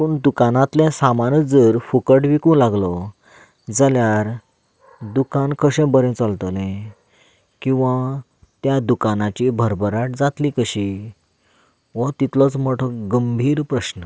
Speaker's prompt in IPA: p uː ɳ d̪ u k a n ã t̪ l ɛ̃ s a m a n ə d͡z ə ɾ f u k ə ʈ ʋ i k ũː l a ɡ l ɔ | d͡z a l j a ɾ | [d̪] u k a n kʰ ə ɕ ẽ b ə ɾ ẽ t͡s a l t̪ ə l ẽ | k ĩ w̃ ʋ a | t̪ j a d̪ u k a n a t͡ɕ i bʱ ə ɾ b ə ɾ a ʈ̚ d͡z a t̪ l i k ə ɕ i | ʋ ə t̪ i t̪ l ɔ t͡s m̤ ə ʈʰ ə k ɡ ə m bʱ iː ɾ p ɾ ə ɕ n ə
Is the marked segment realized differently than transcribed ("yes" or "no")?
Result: no